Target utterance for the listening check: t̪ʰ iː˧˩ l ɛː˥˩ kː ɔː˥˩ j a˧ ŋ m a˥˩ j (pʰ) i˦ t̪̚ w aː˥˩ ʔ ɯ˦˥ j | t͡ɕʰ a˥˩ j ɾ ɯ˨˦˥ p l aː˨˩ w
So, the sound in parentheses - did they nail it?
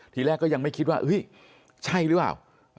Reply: no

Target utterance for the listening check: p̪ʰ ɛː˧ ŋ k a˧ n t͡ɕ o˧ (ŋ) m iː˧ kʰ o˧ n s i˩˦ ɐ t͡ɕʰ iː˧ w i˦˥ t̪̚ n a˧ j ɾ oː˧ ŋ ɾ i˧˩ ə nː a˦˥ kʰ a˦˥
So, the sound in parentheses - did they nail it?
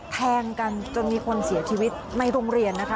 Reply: no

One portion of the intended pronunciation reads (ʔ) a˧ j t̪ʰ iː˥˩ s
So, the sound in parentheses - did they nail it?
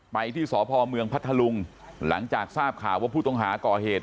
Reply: no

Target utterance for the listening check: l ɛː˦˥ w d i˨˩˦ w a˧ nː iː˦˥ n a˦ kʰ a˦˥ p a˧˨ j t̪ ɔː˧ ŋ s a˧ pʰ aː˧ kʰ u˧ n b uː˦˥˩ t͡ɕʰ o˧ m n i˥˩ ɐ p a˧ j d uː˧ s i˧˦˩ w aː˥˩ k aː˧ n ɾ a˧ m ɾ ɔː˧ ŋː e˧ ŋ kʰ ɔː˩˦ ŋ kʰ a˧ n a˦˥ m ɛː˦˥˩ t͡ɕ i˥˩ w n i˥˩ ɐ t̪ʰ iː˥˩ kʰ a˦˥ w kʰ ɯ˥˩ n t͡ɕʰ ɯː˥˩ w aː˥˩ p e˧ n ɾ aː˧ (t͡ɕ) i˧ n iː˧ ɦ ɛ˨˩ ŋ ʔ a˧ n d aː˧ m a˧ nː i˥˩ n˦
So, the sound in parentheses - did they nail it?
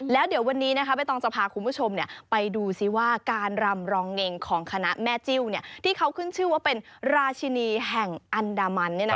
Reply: no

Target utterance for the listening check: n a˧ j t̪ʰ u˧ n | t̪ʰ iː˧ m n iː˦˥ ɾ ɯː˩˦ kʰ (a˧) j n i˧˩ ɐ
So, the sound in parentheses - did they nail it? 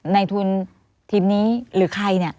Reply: yes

